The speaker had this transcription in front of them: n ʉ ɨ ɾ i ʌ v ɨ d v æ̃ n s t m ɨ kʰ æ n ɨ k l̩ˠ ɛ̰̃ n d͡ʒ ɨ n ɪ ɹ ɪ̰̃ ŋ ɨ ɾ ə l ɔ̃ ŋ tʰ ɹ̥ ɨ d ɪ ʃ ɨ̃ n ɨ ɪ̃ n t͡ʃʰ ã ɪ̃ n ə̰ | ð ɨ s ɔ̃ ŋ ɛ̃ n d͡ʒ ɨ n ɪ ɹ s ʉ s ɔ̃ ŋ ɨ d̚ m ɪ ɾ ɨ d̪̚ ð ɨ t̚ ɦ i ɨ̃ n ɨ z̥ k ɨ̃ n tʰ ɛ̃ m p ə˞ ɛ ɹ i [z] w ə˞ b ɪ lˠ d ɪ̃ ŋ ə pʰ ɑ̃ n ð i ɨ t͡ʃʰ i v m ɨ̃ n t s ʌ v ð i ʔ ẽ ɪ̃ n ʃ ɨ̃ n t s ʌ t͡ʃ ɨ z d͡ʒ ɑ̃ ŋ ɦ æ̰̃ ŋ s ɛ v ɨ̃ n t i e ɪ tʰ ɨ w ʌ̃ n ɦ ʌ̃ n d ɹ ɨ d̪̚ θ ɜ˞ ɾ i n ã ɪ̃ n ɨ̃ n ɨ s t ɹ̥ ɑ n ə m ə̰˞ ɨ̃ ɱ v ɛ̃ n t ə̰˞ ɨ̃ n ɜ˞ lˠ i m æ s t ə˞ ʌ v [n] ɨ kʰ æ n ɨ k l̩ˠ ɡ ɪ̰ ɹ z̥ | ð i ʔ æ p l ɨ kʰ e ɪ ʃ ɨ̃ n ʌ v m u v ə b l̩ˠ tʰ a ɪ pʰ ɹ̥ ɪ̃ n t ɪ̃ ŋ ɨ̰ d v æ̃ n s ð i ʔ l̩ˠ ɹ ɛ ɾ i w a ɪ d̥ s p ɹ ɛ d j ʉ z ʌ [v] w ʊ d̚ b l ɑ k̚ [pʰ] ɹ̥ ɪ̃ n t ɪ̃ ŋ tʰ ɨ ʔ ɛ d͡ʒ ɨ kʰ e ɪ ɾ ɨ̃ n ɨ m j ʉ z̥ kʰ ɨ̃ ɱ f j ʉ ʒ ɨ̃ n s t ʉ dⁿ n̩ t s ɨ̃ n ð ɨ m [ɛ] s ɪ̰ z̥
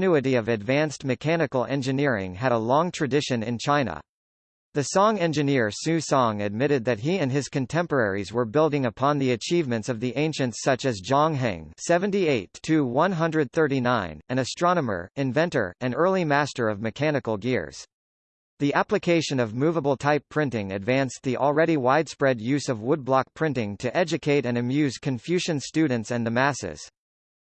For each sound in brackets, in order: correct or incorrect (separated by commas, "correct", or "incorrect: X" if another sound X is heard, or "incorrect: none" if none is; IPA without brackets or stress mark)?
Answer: correct, incorrect: m, correct, correct, incorrect: æ